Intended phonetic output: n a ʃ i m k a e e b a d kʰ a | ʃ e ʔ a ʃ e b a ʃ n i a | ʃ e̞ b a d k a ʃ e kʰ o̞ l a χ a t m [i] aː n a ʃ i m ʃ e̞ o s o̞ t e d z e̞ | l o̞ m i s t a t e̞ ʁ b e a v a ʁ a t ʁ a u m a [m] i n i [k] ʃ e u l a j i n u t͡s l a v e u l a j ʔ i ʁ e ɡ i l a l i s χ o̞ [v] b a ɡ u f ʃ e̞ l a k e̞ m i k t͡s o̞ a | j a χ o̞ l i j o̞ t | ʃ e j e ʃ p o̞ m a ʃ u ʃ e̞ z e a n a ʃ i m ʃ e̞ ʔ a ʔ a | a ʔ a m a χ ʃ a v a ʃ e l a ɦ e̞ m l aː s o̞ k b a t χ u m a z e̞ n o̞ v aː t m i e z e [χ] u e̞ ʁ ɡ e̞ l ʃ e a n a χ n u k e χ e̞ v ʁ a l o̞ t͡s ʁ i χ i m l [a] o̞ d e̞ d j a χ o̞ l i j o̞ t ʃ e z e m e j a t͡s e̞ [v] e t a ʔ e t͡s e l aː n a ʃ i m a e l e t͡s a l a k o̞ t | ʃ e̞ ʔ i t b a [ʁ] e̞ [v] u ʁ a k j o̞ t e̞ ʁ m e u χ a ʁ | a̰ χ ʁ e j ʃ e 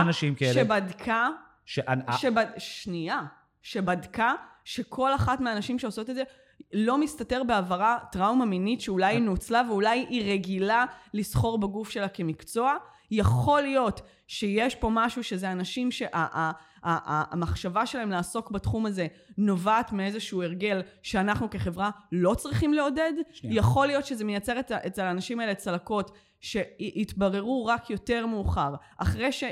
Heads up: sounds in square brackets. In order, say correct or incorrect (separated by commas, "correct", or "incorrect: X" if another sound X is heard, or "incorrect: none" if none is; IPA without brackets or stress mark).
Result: incorrect: e, correct, incorrect: t, incorrect: ʁ, incorrect: ʃ, incorrect: e, incorrect: ʁ, correct, incorrect: ʁ